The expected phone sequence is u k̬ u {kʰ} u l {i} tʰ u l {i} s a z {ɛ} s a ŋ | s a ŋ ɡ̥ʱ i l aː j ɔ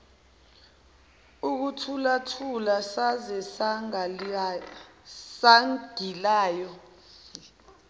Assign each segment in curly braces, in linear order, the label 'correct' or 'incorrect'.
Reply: incorrect, incorrect, incorrect, correct

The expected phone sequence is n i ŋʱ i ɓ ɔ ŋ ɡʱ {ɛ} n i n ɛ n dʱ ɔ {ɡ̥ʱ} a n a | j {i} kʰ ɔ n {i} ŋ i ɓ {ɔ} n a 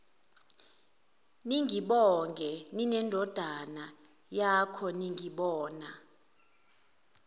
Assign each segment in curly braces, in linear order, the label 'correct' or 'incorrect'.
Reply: correct, incorrect, incorrect, correct, incorrect

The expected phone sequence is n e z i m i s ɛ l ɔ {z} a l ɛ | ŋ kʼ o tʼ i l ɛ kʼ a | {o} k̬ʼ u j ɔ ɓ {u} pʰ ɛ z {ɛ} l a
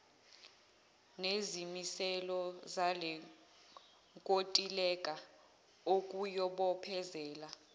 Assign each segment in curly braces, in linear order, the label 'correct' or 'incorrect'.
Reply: correct, correct, incorrect, incorrect

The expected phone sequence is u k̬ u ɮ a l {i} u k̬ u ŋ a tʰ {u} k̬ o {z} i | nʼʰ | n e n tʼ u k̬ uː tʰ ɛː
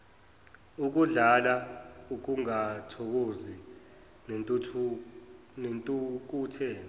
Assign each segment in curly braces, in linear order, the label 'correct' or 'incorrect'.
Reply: incorrect, incorrect, correct

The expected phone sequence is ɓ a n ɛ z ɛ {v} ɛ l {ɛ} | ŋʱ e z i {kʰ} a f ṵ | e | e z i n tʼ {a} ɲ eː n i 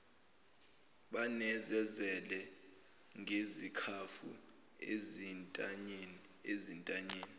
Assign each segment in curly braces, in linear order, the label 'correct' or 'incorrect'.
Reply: incorrect, correct, correct, correct

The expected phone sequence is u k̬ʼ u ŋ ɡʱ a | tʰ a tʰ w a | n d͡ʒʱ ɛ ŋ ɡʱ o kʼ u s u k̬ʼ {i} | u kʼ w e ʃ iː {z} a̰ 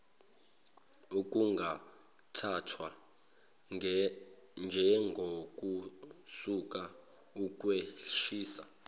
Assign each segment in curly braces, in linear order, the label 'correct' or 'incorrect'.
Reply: incorrect, incorrect

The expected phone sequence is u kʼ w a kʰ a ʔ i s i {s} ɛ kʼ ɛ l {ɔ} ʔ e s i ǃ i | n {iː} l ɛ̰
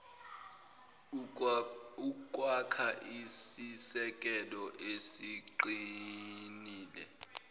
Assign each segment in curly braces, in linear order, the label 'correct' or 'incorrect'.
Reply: correct, correct, correct

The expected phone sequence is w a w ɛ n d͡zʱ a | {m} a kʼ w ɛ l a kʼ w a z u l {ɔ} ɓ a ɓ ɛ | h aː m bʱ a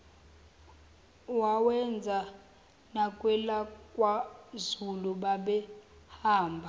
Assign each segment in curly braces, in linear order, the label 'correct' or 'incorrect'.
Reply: incorrect, incorrect

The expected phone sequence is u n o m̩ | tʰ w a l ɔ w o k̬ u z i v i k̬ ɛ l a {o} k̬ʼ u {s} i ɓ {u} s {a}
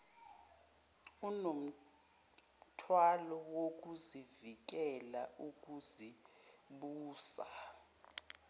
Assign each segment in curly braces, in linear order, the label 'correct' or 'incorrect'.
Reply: incorrect, incorrect, incorrect, correct

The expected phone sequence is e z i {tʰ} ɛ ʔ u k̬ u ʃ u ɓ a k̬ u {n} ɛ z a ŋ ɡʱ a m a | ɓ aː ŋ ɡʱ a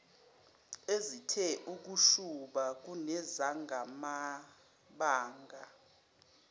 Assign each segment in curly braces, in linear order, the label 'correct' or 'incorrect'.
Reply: correct, correct

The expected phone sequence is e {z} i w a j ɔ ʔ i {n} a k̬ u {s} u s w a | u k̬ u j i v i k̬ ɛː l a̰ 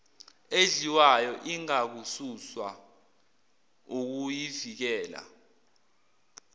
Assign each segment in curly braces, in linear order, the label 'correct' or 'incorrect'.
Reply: correct, incorrect, correct

